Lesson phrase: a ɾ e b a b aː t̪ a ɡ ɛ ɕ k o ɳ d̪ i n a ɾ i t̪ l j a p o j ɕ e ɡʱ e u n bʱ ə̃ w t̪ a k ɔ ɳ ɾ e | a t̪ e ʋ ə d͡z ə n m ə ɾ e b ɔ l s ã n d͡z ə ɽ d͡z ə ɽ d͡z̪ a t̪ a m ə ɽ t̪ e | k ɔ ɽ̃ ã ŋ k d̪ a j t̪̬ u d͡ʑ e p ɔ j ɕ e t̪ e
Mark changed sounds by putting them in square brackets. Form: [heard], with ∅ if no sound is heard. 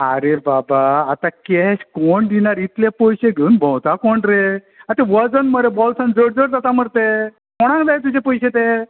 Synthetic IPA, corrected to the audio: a ɾ e b a b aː t̪ a [k] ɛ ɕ k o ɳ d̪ i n a ɾ i t̪ l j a p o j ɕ e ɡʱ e u n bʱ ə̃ w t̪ a k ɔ ɳ ɾ e | a t̪ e ʋ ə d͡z ə n m ə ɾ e b ɔ l s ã n d͡z ə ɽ d͡z ə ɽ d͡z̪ a t̪ a m ə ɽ t̪ e | k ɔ ɽ̃ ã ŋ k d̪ a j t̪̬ u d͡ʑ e p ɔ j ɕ e t̪ e